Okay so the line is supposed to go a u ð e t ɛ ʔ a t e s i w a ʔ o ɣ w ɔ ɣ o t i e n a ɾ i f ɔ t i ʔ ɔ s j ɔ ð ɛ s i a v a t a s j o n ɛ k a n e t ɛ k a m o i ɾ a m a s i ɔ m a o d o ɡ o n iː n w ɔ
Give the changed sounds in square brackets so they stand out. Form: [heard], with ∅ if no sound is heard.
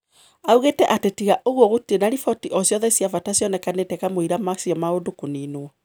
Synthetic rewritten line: a u [ɣ] e t ɛ ʔ a t e [t] i [ɣ] a ʔ o ɣ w ɔ ɣ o t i e n a ɾ i f ɔ t i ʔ ɔ s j ɔ ð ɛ s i a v a t a s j [ɔ] n ɛ k a n e t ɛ k a m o i ɾ a m a s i ɔ m a o d o [k] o n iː n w ɔ

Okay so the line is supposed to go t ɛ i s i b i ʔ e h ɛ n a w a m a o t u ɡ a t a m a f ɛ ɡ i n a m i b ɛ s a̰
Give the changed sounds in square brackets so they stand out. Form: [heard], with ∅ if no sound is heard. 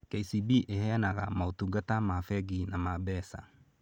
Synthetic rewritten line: [k] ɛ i s i b i ʔ e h ɛ n a [ɣ] a m a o t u ɡ a t a m a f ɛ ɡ i n a m [a] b ɛ s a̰

